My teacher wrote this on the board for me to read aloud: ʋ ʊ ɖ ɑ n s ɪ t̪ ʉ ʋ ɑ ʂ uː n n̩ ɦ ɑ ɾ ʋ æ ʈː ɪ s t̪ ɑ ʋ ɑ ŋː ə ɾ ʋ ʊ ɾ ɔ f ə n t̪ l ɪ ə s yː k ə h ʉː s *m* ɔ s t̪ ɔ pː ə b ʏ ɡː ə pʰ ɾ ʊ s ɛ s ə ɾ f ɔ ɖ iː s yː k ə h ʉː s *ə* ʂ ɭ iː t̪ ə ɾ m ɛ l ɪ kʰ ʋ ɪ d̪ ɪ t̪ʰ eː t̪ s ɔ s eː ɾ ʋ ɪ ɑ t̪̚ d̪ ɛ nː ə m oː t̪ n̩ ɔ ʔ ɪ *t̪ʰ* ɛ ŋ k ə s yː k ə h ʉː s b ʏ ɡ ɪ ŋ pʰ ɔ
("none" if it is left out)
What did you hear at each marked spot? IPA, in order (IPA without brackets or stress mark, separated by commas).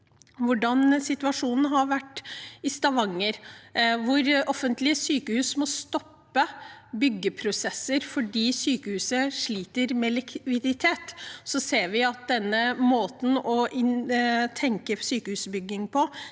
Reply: m, ə, t̪ʰ